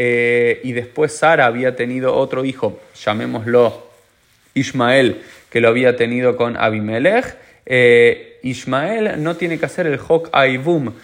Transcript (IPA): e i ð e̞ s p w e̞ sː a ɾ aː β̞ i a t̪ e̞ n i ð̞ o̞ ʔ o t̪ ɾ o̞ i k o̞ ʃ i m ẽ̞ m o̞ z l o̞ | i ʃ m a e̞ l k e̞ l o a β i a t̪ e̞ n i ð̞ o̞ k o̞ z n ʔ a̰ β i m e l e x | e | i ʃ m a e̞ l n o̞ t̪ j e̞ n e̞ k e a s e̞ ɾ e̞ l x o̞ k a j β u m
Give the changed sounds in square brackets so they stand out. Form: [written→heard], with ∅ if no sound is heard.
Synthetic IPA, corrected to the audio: e i ð e̞ s p w e̞ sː a ɾ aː β̞ i a t̪ e̞ n i ð̞ o̞ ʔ o t̪ ɾ o̞ i [k→x] o̞ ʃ [i→a] m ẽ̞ m o̞ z l o̞ | i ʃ m a e̞ l k e̞ l o a β i a t̪ e̞ n i ð̞ o̞ k o̞ [z→∅] n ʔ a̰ β i m e l e x | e | i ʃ m a e̞ l n o̞ t̪ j e̞ n e̞ k e a s e̞ ɾ e̞ l x o̞ k a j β u m